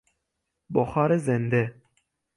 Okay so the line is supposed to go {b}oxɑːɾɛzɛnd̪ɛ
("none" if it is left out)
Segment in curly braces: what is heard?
b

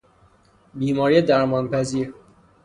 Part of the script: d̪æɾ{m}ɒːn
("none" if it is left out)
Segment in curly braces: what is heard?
m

